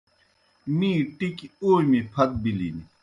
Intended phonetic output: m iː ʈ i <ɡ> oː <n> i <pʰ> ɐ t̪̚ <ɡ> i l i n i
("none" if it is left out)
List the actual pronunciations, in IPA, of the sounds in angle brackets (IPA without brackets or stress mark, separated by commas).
k, m, pʰ, b